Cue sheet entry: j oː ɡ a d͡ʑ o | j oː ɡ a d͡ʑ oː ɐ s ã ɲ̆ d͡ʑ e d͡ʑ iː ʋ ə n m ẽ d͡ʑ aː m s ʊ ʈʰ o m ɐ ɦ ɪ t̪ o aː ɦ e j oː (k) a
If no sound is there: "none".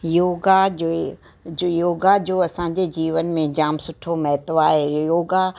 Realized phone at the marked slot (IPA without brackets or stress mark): ɡ